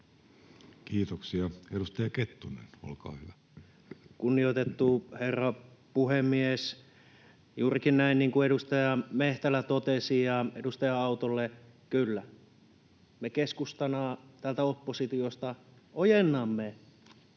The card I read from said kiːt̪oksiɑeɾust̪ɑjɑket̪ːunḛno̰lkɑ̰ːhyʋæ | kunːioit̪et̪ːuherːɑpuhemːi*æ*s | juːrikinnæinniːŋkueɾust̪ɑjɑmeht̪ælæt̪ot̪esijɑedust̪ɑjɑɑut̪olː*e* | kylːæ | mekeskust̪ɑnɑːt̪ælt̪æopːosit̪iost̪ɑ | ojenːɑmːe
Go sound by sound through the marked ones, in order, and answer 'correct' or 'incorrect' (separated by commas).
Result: incorrect, correct